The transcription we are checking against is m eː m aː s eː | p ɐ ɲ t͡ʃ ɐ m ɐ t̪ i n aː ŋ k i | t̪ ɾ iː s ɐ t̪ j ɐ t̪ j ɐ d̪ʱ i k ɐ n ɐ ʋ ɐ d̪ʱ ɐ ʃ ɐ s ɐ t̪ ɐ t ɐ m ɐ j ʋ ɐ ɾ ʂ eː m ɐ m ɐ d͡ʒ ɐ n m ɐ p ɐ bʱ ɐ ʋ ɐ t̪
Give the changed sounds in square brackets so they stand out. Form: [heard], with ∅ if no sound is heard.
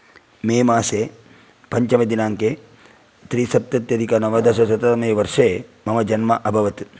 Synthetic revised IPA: m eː m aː s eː | p ɐ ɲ t͡ʃ ɐ m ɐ [d̪] i n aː ŋ k [e] | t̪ ɾ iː s ɐ t̪ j ɐ t̪ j ɐ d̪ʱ i k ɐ n ɐ ʋ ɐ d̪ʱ ɐ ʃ ɐ s ɐ t̪ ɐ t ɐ m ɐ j ʋ ɐ ɾ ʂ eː m ɐ m ɐ d͡ʒ ɐ n m ɐ [ʔ] ɐ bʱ ɐ ʋ ɐ t̪